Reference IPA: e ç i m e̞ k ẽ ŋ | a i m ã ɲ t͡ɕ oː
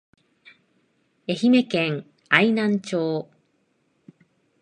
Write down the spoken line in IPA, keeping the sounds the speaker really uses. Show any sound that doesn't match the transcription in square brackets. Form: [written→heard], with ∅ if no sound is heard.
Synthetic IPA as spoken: e ç i m e̞ k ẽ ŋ | a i [m→n] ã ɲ t͡ɕ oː